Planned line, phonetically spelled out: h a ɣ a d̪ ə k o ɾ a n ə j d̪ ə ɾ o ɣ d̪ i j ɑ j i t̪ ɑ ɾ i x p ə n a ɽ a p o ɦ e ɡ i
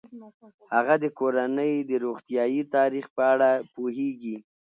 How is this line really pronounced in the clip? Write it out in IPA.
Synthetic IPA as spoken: h a ɣ a d̪ ə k o ɾ a n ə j d̪ ə ɾ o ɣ t̪ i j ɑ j i t̪ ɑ ɾ i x p ə a ɽ a p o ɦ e ɡ i